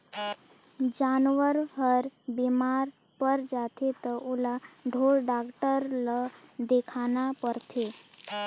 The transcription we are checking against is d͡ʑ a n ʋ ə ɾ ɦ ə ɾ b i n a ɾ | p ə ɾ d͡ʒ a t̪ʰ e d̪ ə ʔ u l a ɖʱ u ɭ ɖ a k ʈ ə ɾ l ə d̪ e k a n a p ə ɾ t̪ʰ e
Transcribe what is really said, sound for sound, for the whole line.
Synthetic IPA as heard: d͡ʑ a n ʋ ə ɾ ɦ ə ɾ b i m a ɾ | p ə ɾ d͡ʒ a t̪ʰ e t̪ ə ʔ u l a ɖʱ o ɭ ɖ a k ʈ ə ɾ l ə d̪ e kʰ a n a p ə ɾ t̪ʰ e